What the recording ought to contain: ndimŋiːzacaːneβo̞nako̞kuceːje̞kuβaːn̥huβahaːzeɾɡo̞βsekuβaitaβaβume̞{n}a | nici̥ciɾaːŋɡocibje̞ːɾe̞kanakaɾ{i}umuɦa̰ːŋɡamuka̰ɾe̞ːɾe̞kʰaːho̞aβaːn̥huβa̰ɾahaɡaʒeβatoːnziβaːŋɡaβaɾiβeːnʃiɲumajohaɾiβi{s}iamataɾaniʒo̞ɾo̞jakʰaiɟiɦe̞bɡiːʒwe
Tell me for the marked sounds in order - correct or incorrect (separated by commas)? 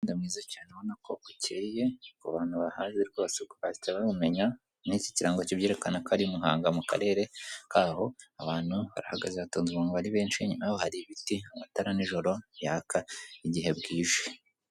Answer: incorrect, correct, incorrect